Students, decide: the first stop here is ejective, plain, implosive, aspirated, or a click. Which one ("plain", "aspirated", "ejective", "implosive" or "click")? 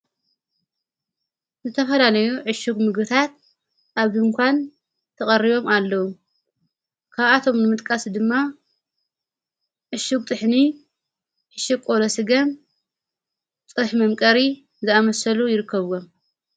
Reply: aspirated